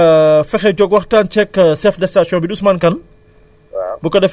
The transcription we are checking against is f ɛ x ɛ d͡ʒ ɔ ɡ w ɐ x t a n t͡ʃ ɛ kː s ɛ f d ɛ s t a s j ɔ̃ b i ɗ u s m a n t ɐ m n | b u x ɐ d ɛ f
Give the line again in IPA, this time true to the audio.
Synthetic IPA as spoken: f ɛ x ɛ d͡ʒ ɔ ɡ w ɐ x t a n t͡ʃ ɛ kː s ɛ f d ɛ s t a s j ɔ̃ b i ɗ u s m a n k ɐ n | b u k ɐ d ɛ f